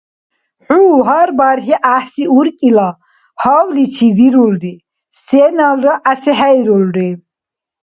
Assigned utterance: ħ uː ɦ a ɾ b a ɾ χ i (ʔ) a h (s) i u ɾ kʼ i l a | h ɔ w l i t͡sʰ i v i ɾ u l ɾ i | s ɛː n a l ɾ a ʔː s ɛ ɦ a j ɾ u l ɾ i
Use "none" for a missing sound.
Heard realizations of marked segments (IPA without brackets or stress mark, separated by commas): ʔ, s